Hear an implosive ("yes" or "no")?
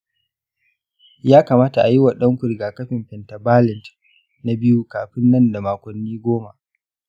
yes